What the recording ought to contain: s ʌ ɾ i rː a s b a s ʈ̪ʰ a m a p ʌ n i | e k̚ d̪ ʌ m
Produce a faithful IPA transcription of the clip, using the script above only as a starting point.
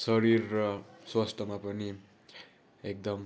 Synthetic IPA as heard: s ʌ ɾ i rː ʌ s w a s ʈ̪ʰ ʌ m a p ʌ n i | e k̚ d̪ ʌ m